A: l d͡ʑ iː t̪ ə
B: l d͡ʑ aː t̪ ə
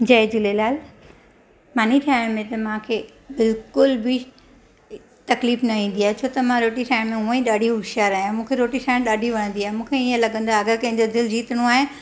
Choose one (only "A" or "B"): A